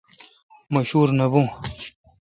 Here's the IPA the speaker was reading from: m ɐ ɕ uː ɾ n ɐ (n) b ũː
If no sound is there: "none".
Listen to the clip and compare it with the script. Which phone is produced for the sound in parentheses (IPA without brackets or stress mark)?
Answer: none